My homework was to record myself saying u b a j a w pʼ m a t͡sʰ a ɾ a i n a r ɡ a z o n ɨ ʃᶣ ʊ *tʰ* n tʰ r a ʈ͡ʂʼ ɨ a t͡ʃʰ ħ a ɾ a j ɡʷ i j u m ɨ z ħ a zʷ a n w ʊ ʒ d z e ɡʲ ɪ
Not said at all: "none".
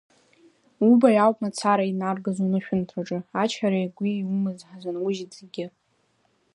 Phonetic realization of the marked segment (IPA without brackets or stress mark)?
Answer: none